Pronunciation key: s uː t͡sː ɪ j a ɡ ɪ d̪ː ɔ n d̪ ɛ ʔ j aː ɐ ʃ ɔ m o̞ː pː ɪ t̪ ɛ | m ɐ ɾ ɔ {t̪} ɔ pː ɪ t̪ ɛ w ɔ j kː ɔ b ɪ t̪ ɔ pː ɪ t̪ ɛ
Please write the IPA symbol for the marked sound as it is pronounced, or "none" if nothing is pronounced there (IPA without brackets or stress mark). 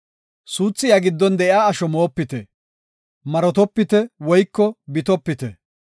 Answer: t̪